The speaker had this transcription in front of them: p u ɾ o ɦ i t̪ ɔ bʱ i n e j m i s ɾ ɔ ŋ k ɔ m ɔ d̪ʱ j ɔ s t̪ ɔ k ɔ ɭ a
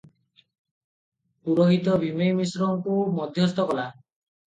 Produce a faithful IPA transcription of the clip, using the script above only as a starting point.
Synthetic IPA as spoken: p u ɾ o ɦ i t̪ ɔ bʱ i m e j m i s ɾ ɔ ŋ k u m ɔ d̪ʱ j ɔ s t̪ ɔ k ɔ l a